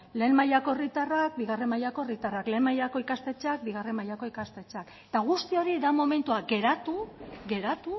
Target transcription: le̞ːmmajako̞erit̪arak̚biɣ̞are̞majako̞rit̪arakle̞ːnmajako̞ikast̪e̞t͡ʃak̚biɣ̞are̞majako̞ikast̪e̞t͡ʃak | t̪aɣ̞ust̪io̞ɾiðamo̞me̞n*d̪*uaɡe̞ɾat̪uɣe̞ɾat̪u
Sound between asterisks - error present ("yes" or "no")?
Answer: yes